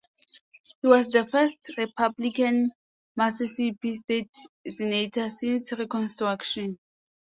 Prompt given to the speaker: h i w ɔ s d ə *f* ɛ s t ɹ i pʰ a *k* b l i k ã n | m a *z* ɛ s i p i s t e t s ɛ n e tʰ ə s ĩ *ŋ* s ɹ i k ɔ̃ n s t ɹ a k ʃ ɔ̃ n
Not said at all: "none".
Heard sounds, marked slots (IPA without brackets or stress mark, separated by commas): f, none, s, n